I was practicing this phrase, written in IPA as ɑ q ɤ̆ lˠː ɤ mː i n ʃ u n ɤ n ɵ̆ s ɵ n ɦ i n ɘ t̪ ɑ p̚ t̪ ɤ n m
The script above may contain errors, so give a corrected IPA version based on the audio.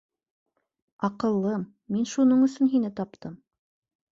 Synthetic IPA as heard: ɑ q ɤ̆ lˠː ɤ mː i n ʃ u n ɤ ɴ ɵ̆ s ɵ n ɦ i n ɘ t̪ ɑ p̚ t̪ ɤ m